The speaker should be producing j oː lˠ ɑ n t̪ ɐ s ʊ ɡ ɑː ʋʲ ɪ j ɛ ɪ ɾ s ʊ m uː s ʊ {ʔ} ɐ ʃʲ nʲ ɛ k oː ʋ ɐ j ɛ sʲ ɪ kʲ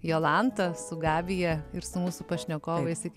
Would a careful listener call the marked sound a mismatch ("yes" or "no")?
yes